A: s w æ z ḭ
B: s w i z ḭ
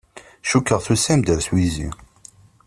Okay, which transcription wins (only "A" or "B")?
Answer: B